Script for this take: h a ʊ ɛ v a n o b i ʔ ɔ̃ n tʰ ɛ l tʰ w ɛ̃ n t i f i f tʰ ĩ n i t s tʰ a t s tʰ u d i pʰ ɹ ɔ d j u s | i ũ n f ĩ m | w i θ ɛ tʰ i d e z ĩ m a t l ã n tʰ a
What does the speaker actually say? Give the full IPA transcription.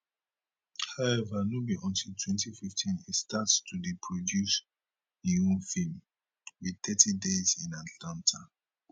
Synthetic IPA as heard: h a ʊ ɛ v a n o b i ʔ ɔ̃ n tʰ i l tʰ w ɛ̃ n t i f i f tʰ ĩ n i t s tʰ a t s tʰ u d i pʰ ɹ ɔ d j u s | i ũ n f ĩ m | w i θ ɛ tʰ i d e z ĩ n a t l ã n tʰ a

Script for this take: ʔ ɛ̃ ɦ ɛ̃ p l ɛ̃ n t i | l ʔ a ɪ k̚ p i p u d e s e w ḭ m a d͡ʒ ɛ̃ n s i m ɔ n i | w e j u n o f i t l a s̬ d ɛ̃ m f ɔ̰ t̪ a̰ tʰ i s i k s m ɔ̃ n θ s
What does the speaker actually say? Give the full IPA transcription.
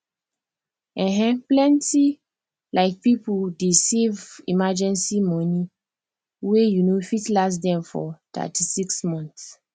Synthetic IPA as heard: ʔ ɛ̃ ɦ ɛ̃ p l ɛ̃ n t i | l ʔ a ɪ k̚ p i p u d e s e v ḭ m a d͡ʒ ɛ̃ n s i m ɔ n i | w e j u n o f i t l a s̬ d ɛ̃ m f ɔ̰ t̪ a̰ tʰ i s i k s m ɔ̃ n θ s

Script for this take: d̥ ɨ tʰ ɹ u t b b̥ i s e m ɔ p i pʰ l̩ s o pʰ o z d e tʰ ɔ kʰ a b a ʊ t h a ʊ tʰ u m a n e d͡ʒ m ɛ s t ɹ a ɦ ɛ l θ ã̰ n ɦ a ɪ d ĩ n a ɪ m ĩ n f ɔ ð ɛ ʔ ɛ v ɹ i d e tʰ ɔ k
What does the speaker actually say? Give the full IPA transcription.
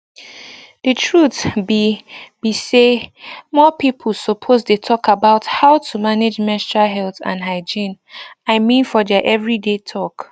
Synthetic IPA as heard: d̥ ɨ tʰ ɹ u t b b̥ i s e m ɔ p i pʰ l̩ s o pʰ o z d e tʰ ɔ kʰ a b a ʊ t h a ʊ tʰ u m a n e d͡ʒ m ɛ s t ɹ a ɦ ɛ l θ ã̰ n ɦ a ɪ d͡ʒ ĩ n a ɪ m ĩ n f ɔ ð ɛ ʔ ɛ v ɹ i d e tʰ ɔ k

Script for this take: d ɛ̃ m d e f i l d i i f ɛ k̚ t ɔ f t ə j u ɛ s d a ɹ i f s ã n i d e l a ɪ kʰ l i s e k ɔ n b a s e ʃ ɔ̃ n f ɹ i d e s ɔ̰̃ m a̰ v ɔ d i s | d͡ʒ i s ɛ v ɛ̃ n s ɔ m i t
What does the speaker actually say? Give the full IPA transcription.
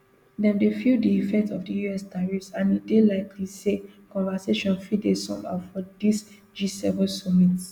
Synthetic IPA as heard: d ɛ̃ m d e f i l d i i f ɛ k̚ t ɔ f d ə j u ɛ s d a ɹ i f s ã n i d e l a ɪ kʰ l i s e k ɔ̃ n v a s e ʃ ɔ̃ n f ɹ i d e s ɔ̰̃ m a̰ f ɔ d i s | d͡ʒ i s ɛ v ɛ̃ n s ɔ m i t

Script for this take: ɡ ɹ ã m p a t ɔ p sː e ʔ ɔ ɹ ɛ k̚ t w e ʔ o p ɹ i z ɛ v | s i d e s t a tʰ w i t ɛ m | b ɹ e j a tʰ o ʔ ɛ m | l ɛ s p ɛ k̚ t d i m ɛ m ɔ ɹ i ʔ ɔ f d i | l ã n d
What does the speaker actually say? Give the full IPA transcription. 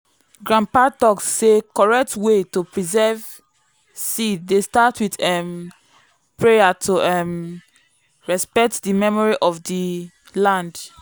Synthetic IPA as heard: ɡ ɹ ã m p a t ɔ k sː e k ɔ ɹ ɛ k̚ t w e t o p ɹ i z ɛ v | s i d e s t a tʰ w i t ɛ m | p ɹ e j a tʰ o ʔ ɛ m | ɹ ɛ s p ɛ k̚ t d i m ɛ m ɔ ɹ i ʔ ɔ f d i | l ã n d

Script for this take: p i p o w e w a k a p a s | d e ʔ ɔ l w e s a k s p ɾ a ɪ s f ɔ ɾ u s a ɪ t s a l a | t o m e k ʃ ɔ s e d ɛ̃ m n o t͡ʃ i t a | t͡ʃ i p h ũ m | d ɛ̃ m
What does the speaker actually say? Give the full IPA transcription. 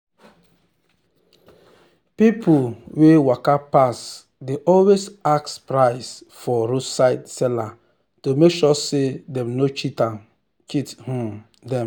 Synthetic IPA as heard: p i p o w e w a k a p a s | d e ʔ ɔ l w e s a k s p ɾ a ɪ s f ɔ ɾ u s a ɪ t s ɛ l a | t o m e k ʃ ɔ s e d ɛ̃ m n o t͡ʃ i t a | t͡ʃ i t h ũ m | d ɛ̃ m

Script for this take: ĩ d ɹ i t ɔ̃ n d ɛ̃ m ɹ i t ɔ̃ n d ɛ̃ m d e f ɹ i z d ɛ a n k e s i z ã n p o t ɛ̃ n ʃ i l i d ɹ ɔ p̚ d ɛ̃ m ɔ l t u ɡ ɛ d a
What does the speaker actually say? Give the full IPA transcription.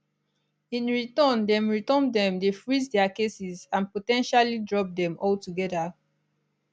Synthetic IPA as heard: ĩ n ɹ i t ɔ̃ n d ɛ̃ m ɹ i t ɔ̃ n d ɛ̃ m d e f ɹ i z d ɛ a k e s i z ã n p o t ɛ̃ n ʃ a l i d ɹ ɔ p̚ d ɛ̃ m ɔ l t u ɡ ɛ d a

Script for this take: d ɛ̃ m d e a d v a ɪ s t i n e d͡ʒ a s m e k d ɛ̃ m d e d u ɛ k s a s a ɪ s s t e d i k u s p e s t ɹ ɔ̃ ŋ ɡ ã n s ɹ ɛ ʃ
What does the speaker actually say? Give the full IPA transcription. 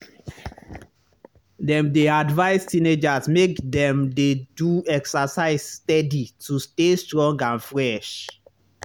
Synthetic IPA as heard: d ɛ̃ m d e a d v a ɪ s t i n e d͡ʒ a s m e k d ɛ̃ m d e d u ɛ k s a s a ɪ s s t ɛ d i t u s t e s t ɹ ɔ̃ ŋ ɡ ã n f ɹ ɛ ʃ

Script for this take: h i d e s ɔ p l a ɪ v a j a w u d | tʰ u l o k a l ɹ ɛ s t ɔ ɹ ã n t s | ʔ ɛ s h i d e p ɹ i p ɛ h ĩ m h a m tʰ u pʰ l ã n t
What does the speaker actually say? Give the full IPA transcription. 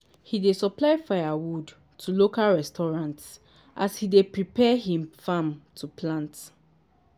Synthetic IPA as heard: h i d e s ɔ p l a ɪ f a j a w u d | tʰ u l o k a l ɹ ɛ s t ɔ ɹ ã n t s | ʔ a s h i d e p ɹ i p ɛ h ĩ m f a m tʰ u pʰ l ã n t

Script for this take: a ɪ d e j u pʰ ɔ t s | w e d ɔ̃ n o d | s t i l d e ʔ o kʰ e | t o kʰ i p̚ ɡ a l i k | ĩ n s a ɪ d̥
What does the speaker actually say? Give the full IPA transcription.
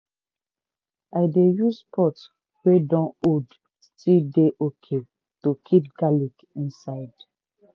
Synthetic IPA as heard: a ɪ d e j u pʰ ɔ t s | w e d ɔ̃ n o d | s t i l d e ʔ o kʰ e | t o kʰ i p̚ ɡ a l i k | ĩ n s a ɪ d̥

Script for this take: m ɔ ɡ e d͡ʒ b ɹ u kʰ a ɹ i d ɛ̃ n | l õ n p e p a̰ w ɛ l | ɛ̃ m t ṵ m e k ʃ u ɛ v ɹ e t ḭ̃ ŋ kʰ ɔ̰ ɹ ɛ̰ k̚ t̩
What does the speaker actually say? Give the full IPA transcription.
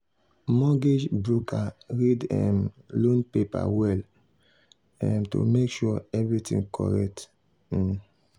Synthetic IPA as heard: m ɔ ɡ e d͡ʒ b ɹ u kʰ a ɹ i d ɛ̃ m | l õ n p e p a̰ w ɛ l | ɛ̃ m t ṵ m e k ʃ u ɛ v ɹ i t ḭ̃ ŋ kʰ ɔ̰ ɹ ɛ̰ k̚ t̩

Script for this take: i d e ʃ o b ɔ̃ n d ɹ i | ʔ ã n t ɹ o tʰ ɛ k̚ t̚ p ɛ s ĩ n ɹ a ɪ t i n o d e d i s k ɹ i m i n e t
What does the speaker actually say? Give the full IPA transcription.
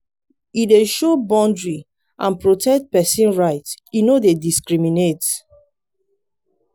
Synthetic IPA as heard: i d e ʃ o b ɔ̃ n d ɹ i | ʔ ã n p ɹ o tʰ ɛ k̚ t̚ p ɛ s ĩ n ɹ a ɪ t i n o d e d i s k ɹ i m i n e t

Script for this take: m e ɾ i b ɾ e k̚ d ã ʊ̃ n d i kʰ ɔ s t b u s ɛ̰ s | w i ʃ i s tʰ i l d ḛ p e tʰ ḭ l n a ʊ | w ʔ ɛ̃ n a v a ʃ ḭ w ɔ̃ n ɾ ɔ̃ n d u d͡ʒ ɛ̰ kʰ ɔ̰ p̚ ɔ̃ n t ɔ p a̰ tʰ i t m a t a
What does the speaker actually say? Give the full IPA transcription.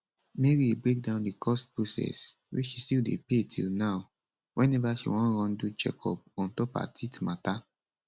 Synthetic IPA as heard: m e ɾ i b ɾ e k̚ d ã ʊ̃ n d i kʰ ɔ s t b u s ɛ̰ s | w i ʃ i s t i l d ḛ p e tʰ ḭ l n a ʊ | w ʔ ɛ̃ n ɛ v a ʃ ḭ w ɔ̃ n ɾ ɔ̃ n d u d͡ʒ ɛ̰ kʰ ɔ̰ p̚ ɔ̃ n t ɔ p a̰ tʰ i t m a t a

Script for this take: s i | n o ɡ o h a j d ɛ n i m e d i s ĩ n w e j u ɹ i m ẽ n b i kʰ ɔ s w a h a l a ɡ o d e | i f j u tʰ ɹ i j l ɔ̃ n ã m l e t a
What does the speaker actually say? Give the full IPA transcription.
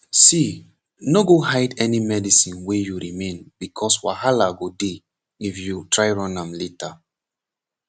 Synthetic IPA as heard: s i | n o ɡ o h a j d ɛ n i m ɛ d i s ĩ n w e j u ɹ i m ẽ n b i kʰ ɔ s w a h a l a ɡ o d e | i f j u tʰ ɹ a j ɹ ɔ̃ n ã m l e t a

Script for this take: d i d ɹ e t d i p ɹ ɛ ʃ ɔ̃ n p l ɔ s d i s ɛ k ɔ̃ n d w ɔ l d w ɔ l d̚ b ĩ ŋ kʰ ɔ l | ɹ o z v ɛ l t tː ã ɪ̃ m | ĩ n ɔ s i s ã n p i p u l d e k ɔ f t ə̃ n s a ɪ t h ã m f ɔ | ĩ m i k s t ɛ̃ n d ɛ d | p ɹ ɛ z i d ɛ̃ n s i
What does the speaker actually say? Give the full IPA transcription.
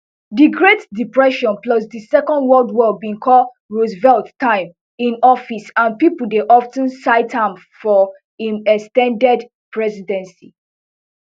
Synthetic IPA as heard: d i ɡ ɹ e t d i p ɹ ɛ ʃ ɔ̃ n p l ɔ s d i s ɛ k ɔ̃ n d w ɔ l d w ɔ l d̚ b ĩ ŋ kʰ ɔ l | ɹ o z v ɛ l t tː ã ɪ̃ m | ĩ n ɔ f i s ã n p i p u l d e ʔ ɔ f t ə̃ n s a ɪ t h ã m f ɔ | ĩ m ɛ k s t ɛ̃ n d ɛ d | p ɹ ɛ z i d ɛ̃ n s i

